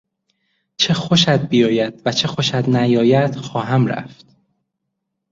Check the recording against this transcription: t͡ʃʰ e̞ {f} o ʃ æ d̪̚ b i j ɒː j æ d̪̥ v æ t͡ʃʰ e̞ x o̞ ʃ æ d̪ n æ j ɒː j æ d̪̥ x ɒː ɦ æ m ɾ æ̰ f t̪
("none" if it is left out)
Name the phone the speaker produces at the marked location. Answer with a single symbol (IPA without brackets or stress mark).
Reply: x